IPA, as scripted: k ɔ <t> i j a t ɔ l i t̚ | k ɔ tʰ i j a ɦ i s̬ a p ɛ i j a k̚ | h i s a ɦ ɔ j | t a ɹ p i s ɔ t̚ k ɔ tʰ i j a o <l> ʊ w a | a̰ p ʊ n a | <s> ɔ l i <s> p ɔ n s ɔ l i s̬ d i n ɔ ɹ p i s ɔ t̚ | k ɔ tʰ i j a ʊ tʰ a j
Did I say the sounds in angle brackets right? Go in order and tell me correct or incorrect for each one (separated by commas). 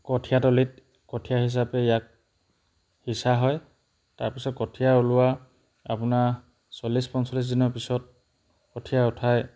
incorrect, correct, correct, correct